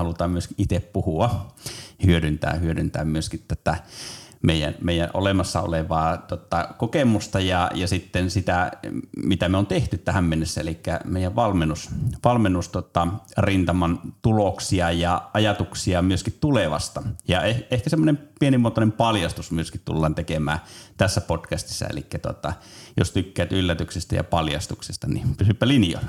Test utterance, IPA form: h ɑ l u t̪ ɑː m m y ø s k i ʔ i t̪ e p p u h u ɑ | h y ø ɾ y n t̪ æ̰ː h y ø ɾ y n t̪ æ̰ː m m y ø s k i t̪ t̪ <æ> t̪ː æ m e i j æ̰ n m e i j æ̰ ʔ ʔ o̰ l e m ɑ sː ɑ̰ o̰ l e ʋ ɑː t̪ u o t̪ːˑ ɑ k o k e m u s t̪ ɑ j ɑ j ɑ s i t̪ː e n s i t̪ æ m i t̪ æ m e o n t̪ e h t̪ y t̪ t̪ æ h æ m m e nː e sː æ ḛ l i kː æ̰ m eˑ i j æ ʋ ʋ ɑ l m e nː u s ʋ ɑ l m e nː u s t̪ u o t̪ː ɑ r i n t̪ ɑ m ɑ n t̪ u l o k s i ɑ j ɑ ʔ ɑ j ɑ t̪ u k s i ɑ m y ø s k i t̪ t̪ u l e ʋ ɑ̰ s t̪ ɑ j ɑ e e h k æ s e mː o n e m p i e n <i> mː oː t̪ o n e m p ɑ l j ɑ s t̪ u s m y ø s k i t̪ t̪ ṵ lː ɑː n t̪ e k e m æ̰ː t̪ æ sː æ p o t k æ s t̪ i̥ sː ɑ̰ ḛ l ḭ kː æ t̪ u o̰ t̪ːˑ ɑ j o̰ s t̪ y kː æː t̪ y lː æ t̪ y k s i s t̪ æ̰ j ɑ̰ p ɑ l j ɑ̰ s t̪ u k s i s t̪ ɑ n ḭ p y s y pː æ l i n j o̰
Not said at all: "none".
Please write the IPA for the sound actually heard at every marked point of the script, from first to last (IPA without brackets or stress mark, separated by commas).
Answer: æ, i